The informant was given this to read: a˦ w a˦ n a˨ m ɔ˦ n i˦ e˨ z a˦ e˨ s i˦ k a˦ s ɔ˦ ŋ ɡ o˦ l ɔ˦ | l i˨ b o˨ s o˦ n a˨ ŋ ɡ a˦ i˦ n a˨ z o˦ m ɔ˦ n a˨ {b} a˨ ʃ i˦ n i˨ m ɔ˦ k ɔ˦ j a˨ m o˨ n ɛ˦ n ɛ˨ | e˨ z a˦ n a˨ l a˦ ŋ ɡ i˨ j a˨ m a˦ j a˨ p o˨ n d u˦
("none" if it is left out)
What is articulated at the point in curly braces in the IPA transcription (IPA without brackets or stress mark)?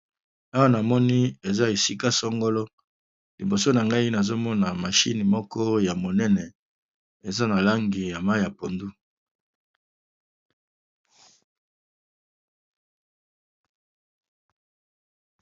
m